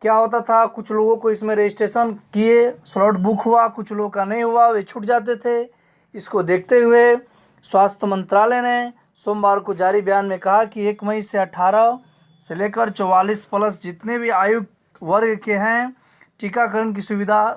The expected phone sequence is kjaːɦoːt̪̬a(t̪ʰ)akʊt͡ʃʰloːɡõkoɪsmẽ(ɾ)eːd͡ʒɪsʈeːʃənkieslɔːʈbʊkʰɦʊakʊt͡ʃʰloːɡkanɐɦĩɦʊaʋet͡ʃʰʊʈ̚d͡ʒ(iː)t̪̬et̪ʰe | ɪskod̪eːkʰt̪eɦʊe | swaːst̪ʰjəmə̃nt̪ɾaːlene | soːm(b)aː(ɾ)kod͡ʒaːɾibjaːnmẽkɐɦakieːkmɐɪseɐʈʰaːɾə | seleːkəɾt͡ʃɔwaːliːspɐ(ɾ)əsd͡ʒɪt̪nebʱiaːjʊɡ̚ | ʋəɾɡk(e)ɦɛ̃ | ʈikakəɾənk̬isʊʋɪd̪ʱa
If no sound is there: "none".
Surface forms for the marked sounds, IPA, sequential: t̪ʰ, ɾ, aː, b, ɾ, l, e

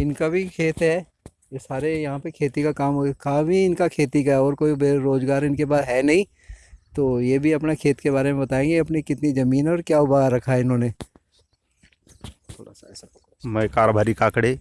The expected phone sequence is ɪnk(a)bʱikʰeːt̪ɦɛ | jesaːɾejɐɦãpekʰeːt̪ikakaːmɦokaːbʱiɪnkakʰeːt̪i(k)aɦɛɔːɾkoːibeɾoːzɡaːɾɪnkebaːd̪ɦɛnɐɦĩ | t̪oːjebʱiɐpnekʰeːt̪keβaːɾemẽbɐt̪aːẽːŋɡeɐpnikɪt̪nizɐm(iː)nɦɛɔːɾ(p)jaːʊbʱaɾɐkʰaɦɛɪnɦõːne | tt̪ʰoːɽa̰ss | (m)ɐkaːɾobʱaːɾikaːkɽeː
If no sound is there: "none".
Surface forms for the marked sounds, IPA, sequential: a, k, iː, k, m

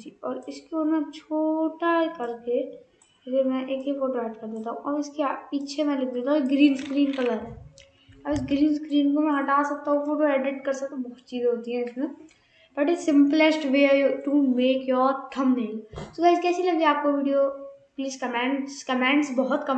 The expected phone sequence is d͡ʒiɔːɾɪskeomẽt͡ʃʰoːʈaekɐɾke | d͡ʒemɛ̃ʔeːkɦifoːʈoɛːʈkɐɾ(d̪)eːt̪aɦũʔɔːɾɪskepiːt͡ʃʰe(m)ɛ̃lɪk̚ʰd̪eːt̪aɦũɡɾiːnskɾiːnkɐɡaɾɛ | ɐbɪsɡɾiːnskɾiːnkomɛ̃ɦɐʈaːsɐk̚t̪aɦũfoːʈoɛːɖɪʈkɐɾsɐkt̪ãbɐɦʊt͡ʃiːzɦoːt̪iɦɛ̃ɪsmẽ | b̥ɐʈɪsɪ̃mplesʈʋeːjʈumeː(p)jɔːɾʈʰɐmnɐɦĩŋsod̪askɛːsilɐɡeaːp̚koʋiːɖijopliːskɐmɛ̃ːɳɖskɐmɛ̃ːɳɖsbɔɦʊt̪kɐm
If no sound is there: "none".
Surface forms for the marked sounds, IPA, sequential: d̪, m, k

